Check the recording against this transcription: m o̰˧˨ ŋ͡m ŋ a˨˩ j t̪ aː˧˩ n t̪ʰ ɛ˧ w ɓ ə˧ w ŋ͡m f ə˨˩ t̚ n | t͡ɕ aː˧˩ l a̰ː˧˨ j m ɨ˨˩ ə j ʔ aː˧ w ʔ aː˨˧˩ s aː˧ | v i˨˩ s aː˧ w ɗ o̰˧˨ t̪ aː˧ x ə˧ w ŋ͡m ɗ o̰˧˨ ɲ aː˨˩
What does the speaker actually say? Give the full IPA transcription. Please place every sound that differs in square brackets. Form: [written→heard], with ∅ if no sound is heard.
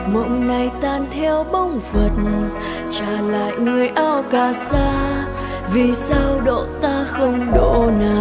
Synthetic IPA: m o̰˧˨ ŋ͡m [ŋ→n] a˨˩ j t̪ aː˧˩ n t̪ʰ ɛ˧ w ɓ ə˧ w ŋ͡m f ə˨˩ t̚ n | t͡ɕ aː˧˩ l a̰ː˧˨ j [m→ŋ] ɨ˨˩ ə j ʔ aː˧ w [ʔ→k] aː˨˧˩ s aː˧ | v i˨˩ s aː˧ w ɗ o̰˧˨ t̪ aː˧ x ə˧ w ŋ͡m ɗ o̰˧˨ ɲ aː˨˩